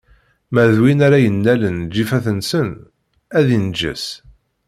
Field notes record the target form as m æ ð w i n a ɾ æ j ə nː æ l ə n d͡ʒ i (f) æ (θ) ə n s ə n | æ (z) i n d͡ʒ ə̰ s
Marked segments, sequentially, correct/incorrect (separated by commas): correct, correct, incorrect